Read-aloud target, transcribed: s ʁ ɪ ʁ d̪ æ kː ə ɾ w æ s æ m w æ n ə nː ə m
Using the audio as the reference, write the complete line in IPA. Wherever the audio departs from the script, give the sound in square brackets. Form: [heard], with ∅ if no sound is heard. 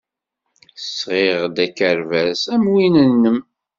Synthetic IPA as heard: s ʁ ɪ ʁ d̪ æ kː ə ɾ [v] æ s æ m w [i] n ə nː ə m